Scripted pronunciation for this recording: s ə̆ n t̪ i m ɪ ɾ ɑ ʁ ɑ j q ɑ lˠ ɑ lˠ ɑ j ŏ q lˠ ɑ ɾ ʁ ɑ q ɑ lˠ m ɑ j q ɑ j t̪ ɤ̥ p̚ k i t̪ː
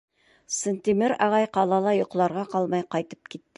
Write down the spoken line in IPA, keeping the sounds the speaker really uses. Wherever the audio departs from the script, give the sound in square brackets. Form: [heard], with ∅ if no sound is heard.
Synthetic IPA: s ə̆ n t̪ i m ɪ ɾ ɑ ʁ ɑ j q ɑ lˠ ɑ lˠ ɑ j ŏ q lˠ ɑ ɾ ʁ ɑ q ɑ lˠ m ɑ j q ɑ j t̪ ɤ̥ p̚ k i t̪ː